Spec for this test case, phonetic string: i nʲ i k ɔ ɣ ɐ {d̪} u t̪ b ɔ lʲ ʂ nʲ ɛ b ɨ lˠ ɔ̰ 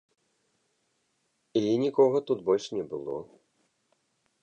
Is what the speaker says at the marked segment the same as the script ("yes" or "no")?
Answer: no